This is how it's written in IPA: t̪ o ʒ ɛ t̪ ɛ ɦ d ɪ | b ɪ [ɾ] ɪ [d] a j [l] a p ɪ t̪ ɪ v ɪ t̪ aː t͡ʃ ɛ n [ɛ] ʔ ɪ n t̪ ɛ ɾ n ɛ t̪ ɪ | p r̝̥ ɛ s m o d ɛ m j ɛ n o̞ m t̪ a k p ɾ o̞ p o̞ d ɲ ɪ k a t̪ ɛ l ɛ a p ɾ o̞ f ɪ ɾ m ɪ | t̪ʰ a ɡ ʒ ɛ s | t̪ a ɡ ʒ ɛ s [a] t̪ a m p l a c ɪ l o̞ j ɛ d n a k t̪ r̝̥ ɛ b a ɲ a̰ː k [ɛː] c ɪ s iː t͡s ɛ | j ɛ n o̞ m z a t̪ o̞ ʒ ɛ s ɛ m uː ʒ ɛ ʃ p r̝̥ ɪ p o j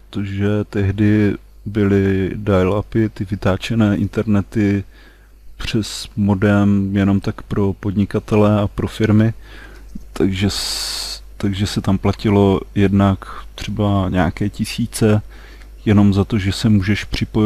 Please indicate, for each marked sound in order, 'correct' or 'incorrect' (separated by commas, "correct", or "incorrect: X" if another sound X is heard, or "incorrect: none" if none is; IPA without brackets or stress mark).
incorrect: l, correct, correct, incorrect: ɛː, incorrect: ɛ, correct